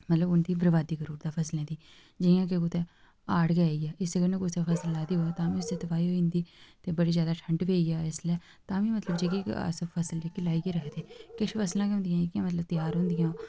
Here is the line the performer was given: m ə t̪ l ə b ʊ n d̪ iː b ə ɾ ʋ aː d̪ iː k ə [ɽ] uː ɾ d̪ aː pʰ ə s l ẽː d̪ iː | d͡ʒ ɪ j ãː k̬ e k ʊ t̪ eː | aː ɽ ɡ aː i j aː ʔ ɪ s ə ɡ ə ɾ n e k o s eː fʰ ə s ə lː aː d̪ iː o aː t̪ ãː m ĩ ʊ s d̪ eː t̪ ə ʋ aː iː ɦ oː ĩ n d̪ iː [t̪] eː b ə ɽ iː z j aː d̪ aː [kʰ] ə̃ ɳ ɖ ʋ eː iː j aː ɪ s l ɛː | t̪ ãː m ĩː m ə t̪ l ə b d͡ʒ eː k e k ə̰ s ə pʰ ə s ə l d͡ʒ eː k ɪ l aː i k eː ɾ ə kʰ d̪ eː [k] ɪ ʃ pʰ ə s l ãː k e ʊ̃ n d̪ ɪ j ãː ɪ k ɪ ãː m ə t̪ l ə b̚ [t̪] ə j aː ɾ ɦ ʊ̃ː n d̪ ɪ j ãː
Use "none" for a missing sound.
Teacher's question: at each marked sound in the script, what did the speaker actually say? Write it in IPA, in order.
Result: ɾ, t̪, ʈʰ, k, t̪

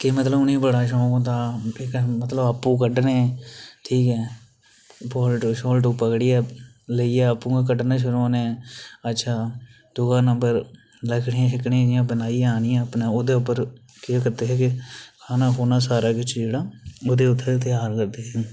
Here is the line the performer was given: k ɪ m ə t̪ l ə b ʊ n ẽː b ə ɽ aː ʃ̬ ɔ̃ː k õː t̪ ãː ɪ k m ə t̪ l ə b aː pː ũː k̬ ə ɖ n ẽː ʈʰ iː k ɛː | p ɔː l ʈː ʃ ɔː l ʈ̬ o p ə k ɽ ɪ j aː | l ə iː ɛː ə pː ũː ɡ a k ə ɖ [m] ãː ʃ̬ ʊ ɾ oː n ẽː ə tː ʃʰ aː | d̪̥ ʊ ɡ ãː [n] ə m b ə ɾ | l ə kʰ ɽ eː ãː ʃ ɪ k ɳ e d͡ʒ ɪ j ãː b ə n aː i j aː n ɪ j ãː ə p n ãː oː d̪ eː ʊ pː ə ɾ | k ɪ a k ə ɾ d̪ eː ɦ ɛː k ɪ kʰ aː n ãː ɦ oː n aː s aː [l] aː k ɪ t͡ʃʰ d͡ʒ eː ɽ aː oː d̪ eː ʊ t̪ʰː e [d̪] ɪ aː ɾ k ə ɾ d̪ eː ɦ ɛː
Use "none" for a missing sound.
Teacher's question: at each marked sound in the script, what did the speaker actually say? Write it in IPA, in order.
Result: n, n, ɾ, t̪

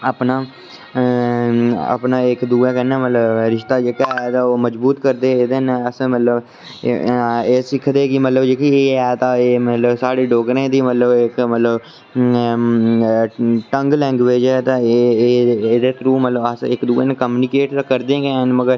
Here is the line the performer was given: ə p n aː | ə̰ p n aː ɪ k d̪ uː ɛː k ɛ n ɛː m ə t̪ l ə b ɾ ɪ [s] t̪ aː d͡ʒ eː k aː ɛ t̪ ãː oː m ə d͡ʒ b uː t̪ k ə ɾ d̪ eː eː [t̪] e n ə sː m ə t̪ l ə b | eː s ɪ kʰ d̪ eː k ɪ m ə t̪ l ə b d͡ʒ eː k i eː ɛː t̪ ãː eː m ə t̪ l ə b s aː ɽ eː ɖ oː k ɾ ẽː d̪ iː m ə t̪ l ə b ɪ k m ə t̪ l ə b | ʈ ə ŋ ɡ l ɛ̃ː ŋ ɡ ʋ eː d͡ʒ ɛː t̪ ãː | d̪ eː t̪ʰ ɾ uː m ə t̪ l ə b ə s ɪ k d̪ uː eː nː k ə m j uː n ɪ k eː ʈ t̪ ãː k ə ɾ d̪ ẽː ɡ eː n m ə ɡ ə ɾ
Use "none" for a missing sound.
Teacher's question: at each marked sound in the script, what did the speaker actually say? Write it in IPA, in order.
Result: ʃ, d̪

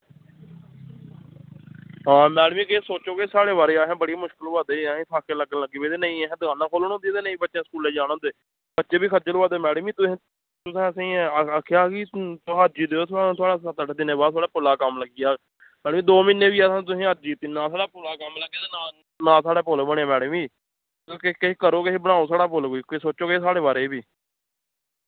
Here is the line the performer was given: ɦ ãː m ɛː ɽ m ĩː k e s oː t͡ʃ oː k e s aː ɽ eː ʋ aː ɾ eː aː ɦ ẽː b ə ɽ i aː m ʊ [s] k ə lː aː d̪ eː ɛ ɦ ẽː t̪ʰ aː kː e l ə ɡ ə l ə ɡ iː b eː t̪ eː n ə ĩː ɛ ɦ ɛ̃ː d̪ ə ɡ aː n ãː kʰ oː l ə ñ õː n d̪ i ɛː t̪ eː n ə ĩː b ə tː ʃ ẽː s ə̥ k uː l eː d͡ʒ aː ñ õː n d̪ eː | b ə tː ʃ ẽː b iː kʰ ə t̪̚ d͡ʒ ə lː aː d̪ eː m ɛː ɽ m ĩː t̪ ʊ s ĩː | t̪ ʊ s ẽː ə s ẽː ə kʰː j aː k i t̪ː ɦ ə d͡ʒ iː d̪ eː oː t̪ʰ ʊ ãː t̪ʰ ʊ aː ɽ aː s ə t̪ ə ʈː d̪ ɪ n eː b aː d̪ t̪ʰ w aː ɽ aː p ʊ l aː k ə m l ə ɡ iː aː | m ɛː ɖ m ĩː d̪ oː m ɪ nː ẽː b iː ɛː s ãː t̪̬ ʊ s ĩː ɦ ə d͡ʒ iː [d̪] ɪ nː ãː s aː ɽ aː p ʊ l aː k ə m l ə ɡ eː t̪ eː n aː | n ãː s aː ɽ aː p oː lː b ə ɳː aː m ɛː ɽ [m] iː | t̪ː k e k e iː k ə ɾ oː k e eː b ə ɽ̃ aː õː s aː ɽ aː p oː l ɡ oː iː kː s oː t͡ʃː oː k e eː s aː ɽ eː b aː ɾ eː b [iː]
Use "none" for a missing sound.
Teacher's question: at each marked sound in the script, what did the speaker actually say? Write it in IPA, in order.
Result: ʃ, t̪, m, iː

